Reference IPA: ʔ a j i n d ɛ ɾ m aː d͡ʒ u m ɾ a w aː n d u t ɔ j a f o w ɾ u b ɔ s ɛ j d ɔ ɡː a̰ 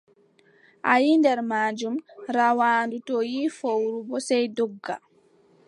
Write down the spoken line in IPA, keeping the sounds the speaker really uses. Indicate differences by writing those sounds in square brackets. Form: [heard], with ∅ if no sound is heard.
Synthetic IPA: ʔ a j i n d ɛ ɾ m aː d͡ʒ u m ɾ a w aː n d u t ɔ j [i] f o w ɾ u b ɔ s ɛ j d ɔ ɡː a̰